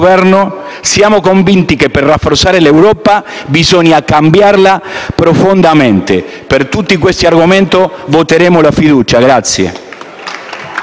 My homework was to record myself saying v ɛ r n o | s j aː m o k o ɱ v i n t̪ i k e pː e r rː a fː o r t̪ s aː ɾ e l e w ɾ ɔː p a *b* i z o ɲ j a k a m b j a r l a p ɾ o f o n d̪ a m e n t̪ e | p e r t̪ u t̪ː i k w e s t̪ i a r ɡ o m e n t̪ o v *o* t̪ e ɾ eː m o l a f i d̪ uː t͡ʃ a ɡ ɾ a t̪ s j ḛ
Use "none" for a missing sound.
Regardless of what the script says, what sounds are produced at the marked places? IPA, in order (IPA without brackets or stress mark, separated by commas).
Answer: b, o